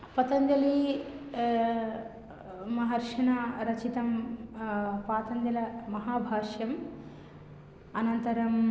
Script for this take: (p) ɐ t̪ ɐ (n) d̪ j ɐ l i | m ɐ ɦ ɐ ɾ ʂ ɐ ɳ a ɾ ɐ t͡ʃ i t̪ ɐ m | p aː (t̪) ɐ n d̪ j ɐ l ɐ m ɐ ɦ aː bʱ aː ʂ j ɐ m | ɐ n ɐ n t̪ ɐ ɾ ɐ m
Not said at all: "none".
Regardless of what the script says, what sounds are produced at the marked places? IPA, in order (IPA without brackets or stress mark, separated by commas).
p, n, t̪